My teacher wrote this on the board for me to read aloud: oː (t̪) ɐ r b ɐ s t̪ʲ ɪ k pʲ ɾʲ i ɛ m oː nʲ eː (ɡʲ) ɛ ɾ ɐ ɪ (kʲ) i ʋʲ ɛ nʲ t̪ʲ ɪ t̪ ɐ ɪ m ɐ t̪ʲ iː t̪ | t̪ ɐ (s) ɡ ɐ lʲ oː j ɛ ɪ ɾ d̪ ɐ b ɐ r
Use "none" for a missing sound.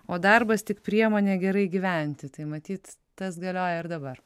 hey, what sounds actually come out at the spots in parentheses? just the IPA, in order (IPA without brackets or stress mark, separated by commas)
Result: d̪, ɡʲ, ɡʲ, s